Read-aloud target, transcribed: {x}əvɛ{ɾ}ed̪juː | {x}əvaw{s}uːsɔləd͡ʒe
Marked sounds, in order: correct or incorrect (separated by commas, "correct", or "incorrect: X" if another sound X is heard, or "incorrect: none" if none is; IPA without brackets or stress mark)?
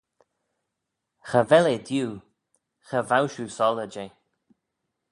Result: correct, incorrect: l, correct, incorrect: ʃ